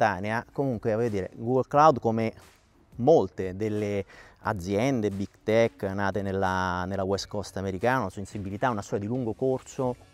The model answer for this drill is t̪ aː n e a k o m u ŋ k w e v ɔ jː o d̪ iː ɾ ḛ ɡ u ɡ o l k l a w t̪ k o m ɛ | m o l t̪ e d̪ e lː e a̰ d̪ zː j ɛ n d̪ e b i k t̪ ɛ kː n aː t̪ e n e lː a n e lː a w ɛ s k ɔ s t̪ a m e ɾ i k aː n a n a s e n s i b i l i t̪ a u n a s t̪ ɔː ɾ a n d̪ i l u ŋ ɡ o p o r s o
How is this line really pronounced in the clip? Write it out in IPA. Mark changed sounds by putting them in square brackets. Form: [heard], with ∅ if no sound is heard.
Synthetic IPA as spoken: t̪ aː n e a k o m u ŋ k w e v ɔ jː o d̪ iː ɾ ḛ ɡ u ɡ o l k l a w [d̪] k o m [e] | m o l t̪ e d̪ e lː e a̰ d̪ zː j ɛ n d̪ e b i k t̪ ɛ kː n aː t̪ e n e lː a n e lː a w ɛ s k ɔ s t̪ a m e ɾ i k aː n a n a s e n s i b i l i t̪ a u n a s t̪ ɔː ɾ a [∅] d̪ i l u ŋ ɡ o [k] o r s o